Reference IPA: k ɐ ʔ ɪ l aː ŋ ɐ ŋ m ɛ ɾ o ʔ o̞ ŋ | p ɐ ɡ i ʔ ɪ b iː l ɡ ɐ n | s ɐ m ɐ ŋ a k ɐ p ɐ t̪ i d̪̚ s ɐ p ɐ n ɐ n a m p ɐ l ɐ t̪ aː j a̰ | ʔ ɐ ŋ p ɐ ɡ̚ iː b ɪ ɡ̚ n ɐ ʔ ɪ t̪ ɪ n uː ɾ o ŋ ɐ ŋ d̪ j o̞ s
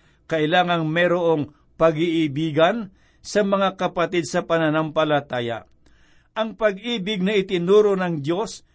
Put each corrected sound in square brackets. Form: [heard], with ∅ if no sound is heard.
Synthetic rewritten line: k ɐ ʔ ɪ l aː ŋ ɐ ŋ m ɛ ɾ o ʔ o̞ ŋ | p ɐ ɡ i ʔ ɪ b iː [∅] ɡ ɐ n | s ɐ m ɐ ŋ a k ɐ p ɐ t̪ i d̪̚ s ɐ p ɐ n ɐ n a m p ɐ l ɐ t̪ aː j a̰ | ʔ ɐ ŋ p ɐ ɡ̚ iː b ɪ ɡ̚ n ɐ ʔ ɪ t̪ ɪ n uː ɾ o [n] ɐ ŋ d̪ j o̞ s